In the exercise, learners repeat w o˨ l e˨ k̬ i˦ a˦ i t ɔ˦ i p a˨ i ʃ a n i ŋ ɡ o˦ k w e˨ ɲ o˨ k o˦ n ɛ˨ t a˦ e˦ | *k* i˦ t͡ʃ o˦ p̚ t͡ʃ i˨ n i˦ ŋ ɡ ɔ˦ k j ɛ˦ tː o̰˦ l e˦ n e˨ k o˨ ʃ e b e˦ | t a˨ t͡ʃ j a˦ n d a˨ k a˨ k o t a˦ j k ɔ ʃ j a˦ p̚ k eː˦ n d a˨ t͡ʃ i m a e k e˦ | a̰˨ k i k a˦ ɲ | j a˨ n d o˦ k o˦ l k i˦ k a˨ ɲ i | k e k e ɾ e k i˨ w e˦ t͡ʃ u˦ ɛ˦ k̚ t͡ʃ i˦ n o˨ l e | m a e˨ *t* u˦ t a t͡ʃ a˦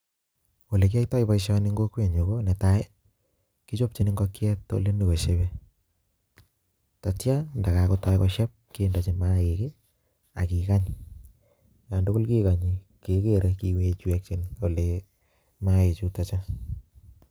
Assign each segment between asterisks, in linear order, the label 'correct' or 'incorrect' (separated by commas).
correct, incorrect